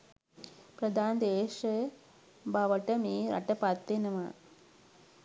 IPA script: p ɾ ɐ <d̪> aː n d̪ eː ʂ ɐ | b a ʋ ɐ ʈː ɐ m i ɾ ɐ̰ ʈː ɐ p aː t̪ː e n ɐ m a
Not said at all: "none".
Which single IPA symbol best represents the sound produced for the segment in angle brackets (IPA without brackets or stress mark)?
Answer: d̪